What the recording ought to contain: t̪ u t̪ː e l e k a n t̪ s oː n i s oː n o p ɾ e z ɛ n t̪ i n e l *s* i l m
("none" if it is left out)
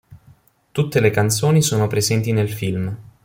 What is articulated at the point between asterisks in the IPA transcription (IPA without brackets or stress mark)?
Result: f